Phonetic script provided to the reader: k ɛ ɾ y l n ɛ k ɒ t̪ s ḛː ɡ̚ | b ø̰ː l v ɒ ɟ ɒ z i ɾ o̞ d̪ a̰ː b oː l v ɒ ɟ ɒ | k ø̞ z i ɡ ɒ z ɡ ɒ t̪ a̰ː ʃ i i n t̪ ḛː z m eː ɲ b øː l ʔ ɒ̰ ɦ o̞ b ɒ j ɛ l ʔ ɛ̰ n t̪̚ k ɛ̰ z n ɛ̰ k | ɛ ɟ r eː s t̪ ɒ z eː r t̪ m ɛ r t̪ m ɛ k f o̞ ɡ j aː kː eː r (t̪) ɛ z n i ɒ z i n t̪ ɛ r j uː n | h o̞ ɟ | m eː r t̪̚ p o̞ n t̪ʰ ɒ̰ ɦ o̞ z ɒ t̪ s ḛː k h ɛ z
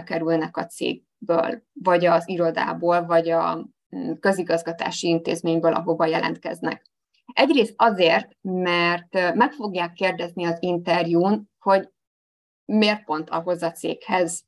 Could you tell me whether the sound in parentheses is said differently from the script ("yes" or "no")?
yes